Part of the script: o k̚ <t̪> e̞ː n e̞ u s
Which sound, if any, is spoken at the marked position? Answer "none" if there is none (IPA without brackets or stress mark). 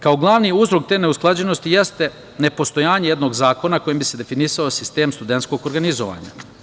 t̪